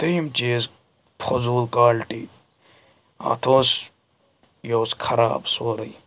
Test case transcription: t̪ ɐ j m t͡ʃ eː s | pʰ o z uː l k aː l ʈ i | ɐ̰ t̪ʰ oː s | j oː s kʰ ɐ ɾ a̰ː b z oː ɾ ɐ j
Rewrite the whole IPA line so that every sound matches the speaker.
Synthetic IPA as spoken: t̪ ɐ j m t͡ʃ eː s | pʰ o z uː l k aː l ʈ i | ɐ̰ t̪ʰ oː s | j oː s kʰ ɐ ɾ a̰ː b s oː ɾ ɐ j